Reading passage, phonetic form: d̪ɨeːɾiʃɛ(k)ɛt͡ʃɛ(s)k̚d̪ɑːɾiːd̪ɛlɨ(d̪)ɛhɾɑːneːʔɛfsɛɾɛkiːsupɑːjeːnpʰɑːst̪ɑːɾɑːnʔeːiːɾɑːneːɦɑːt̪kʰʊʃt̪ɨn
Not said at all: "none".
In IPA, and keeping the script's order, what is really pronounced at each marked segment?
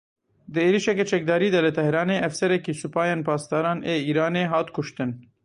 k, none, t̪

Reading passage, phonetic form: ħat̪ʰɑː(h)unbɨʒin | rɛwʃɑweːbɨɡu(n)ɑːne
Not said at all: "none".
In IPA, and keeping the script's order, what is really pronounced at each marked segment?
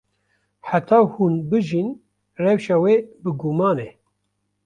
h, m

